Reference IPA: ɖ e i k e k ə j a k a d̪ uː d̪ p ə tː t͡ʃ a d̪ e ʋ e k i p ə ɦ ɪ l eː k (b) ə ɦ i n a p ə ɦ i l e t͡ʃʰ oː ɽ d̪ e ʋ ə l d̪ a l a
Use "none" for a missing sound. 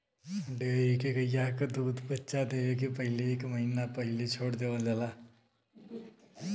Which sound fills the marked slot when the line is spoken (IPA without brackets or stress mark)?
m